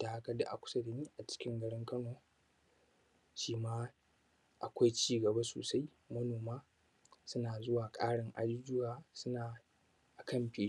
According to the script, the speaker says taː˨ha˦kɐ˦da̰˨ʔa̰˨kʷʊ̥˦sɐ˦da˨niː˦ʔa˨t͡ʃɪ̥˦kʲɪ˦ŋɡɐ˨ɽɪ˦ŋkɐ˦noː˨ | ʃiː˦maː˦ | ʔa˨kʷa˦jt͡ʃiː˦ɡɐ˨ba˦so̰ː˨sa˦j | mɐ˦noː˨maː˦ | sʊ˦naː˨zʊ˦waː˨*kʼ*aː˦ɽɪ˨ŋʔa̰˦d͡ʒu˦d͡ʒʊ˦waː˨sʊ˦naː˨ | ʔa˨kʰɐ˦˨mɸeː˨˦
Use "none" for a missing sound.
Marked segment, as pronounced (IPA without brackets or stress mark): kʼ